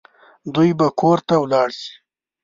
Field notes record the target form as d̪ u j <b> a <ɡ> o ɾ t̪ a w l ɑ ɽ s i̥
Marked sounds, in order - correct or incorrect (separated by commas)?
correct, incorrect